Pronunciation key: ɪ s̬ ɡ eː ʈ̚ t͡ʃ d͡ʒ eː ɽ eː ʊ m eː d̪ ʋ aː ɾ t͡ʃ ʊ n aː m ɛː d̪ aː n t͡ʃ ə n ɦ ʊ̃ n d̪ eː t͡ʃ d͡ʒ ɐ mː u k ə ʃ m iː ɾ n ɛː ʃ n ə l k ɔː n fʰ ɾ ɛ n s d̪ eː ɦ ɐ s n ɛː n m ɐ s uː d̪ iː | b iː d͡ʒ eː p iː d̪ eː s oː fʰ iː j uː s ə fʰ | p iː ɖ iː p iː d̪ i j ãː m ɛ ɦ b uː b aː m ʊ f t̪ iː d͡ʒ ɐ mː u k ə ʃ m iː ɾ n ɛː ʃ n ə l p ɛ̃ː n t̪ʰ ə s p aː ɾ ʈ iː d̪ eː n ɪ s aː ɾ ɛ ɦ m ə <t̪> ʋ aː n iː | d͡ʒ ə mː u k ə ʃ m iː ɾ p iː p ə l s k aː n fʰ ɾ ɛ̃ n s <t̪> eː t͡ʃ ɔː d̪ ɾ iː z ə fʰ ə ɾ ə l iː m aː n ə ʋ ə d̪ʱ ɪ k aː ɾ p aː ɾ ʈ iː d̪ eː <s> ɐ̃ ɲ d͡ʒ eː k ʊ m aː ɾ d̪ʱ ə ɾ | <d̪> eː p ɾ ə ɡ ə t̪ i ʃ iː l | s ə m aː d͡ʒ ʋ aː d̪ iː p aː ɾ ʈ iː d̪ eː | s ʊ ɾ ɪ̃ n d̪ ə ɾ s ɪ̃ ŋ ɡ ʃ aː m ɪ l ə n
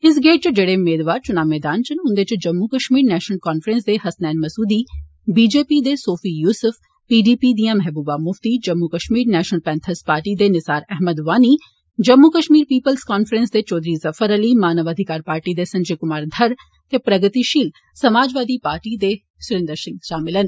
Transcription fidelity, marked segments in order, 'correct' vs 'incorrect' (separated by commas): incorrect, incorrect, correct, incorrect